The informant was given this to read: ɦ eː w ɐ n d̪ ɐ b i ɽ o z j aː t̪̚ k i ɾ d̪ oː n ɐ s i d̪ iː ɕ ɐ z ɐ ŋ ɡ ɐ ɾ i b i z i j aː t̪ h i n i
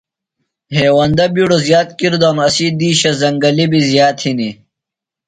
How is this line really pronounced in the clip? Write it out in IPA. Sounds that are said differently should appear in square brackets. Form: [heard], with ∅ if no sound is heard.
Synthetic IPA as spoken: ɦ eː w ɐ n d̪ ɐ b i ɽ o z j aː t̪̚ k i ɾ d̪ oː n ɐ s i d̪ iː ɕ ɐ z ɐ ŋ ɡ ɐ [l] i b i z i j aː t̪ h i n i